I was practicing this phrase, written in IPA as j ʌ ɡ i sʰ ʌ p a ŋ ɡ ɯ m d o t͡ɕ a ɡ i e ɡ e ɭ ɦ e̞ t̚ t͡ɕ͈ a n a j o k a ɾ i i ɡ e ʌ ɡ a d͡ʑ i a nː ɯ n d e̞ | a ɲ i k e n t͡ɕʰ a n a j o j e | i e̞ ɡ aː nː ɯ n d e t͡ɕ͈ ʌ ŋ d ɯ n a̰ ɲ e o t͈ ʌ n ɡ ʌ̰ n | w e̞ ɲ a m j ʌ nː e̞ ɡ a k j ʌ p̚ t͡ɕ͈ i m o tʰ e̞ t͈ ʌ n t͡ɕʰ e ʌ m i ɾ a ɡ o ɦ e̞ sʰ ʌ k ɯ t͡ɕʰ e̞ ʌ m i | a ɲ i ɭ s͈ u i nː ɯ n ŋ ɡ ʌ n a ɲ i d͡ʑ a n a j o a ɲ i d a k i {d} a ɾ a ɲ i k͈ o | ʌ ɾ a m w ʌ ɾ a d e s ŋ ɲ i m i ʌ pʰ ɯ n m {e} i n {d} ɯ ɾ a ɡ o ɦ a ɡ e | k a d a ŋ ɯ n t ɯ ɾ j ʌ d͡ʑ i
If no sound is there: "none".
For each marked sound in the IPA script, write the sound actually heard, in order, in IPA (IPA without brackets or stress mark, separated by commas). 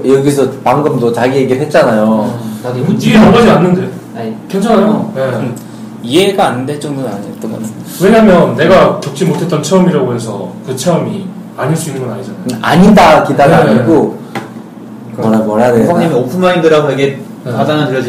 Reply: d, a, d